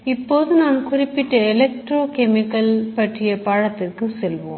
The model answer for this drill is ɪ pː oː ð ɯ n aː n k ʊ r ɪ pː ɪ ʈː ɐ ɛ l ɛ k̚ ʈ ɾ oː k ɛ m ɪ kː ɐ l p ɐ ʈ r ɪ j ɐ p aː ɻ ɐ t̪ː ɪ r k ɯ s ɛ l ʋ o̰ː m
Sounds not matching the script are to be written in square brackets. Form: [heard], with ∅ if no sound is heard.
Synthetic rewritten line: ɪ pː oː ð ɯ n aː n k ʊ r ɪ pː ɪ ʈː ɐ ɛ l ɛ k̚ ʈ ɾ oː k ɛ m ɪ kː ɐ l p ɐ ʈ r ɪ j ɐ p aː ɻ ɐ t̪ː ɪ r k ɯ s ɛ l ʋ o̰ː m